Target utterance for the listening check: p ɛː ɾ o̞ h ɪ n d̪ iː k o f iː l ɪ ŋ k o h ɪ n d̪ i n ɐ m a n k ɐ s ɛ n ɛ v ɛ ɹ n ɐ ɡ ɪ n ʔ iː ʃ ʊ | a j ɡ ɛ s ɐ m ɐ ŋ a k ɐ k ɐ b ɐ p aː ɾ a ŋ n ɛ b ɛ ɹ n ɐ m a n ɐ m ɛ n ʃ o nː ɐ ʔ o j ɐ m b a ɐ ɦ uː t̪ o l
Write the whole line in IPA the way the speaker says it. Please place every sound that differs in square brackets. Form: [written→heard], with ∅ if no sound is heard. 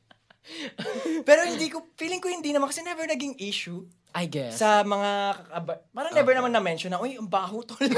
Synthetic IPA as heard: p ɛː ɾ o̞ h ɪ n d̪ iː k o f iː l ɪ ŋ k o h ɪ n d̪ i n ɐ m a n k ɐ s ɛ n ɛ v ɛ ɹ n ɐ ɡ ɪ [n→ŋ] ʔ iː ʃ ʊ | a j ɡ ɛ s ɐ m ɐ ŋ a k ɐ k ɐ b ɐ p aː ɾ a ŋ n ɛ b ɛ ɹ n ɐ m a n ɐ m ɛ n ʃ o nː ɐ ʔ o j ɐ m b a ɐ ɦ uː t̪ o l